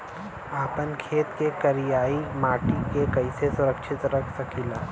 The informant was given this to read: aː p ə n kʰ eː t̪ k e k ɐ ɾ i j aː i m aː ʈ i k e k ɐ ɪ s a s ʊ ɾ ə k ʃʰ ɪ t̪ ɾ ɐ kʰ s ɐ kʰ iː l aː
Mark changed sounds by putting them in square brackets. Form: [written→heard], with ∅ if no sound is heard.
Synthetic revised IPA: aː p ə n kʰ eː t̪ k e k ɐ ɾ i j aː i m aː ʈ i k e k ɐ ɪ s [a→e] s ʊ ɾ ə k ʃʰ ɪ t̪ ɾ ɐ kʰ s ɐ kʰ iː l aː